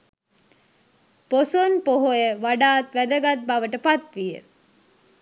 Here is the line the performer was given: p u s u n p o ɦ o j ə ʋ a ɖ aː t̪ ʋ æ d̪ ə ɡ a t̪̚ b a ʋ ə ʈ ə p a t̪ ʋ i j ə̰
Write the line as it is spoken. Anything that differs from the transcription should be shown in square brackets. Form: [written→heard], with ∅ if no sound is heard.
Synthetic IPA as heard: p [u→o] s [u→o] n p o ɦ o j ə ʋ a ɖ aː t̪ ʋ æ d̪ ə ɡ a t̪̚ b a ʋ ə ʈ ə p a t̪ ʋ i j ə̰